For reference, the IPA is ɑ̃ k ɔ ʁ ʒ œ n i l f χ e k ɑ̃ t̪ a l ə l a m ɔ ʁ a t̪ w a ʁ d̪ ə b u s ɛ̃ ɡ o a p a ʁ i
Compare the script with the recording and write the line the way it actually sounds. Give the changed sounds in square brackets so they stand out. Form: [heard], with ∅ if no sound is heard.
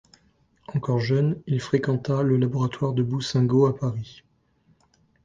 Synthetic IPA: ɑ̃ k ɔ ʁ ʒ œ n i l f χ e k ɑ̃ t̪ a l ə l a [b] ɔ ʁ a t̪ w a ʁ d̪ ə b u s ɛ̃ ɡ o a p a ʁ i